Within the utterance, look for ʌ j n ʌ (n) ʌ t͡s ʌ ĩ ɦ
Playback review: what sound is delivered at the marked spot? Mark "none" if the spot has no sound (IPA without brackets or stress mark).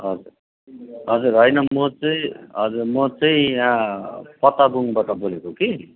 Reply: m